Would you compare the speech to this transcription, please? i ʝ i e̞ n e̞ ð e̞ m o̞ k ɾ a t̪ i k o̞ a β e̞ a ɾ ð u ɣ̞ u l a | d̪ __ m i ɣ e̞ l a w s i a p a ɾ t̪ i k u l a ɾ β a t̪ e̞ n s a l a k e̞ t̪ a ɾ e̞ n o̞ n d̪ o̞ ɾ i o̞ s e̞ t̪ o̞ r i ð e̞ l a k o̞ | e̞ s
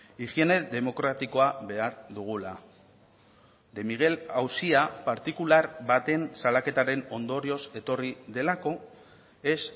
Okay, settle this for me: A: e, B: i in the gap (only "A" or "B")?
A